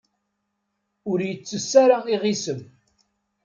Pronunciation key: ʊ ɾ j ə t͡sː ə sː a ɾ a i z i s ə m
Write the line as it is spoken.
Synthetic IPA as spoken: ʊ ɾ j ə t͡sː ə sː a ɾ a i ʁ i s ə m